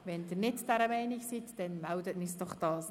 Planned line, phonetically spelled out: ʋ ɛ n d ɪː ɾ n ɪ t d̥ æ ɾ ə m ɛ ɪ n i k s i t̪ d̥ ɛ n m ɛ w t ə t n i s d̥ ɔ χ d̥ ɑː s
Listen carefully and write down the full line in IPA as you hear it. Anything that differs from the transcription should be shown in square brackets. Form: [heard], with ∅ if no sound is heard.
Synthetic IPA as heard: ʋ ɛ n d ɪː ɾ n ɪ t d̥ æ ɾ ə m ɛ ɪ n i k s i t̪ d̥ ɛ n m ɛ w [d] ə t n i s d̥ ɔ χ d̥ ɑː s